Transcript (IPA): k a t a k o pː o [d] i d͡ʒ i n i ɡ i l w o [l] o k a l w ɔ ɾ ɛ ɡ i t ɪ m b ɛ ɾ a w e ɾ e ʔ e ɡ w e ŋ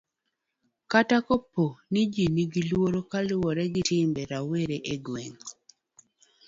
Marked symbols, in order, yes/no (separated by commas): no, no